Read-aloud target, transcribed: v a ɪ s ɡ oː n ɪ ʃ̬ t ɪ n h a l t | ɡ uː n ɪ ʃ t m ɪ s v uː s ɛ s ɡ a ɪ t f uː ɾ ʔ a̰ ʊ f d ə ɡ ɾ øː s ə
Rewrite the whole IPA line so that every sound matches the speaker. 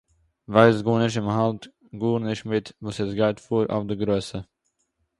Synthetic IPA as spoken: v a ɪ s ɡ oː n ɪ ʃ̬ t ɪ m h a l t | ɡ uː n ɪ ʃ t m ɪ t v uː s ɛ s ɡ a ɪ t f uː ɾ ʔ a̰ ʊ f d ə ɡ ɾ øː s ə